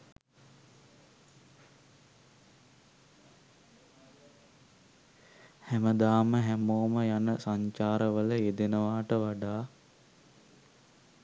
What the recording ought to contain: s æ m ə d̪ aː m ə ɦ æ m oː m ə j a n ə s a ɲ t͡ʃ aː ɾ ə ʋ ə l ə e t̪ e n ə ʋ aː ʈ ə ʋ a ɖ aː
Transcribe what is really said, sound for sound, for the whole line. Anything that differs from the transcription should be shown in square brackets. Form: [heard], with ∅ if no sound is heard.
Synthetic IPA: [h] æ m ə d̪ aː m ə ɦ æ m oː m ə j a n ə s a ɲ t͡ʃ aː ɾ ə ʋ ə l ə e [d̪] e n ə ʋ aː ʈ ə ʋ a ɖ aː